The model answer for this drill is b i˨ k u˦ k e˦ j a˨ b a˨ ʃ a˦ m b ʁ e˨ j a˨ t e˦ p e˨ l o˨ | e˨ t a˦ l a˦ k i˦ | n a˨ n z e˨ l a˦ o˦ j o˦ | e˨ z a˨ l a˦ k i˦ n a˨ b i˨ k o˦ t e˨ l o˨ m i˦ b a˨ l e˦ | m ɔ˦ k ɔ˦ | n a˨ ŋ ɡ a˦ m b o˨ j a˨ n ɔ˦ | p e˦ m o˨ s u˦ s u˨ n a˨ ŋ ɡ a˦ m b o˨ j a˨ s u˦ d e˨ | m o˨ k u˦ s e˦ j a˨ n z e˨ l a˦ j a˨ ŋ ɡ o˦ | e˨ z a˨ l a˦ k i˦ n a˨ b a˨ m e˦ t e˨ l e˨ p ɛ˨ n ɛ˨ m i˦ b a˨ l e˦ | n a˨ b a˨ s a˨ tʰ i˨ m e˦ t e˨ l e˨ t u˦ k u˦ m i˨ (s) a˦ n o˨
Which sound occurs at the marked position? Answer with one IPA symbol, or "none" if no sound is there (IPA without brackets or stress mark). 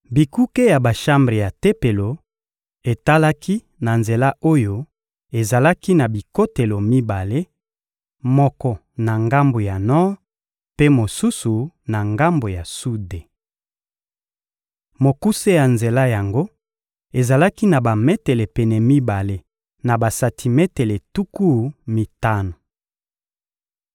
t